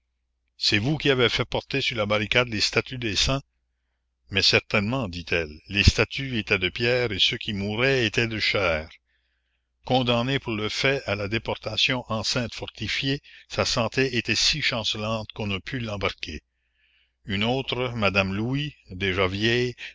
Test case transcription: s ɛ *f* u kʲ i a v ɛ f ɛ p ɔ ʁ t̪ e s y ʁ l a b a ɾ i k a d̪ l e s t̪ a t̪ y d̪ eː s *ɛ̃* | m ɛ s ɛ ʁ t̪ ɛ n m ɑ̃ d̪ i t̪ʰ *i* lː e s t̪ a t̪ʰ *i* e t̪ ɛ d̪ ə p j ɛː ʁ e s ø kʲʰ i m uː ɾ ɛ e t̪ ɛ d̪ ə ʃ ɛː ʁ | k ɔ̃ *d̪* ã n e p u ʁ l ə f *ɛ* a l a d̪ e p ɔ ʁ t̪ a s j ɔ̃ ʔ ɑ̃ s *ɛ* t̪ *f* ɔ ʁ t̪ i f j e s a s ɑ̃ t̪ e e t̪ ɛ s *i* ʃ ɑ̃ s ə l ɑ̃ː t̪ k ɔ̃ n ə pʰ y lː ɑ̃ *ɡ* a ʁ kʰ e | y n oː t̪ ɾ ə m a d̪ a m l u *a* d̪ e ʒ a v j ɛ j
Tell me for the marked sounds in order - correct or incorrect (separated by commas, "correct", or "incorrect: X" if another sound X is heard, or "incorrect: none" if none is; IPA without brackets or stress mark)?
incorrect: v, correct, incorrect: ɛ, incorrect: y, correct, correct, incorrect: ɛ̃, correct, correct, incorrect: b, incorrect: i